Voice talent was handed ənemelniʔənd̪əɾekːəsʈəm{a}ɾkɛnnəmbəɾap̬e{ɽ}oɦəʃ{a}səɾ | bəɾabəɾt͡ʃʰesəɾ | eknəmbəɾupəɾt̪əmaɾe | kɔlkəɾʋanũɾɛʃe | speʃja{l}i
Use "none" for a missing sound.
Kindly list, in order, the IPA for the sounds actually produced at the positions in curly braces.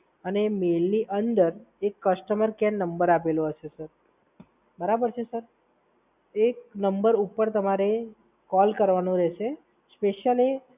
ə, l, e, l

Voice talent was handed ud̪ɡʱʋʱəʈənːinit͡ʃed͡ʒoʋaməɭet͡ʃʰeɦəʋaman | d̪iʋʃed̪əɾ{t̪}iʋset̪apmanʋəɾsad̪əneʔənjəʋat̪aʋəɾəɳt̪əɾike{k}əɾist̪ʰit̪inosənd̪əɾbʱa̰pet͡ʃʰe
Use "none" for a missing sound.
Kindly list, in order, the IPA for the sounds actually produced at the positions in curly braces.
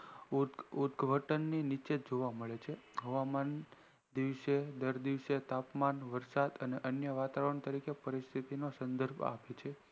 d̪, p

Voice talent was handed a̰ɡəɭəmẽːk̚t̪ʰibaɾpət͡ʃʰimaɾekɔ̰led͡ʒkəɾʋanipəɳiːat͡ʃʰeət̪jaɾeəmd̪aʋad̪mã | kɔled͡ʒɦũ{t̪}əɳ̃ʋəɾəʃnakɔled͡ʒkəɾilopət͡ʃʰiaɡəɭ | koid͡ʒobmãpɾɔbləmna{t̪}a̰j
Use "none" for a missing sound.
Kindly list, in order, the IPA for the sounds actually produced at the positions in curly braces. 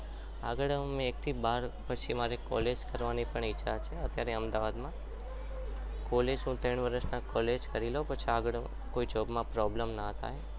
t̪, t̪ʰ

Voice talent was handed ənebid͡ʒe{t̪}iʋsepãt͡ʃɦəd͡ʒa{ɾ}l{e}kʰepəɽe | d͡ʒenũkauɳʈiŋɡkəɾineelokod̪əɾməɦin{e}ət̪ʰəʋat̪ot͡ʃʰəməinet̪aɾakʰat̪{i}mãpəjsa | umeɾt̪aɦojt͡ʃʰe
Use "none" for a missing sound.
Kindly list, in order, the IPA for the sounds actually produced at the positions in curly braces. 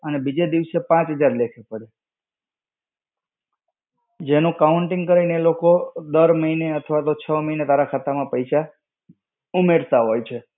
d̪, ɾ, e, e, a

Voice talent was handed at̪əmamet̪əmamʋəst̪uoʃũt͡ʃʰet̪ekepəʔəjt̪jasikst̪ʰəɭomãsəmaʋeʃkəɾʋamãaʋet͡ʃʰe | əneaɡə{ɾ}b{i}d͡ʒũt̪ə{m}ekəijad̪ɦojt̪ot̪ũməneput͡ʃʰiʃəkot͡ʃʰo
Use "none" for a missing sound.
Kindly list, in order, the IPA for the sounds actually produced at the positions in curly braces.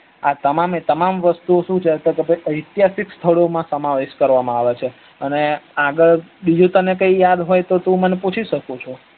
ɭ, i, n

